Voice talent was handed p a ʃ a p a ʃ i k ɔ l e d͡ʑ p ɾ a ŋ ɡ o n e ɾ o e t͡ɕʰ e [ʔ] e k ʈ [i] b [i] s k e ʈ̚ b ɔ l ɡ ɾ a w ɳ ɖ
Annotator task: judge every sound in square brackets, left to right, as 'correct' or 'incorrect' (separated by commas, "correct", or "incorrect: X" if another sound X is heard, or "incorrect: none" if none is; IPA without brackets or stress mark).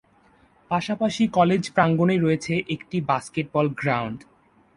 correct, correct, incorrect: a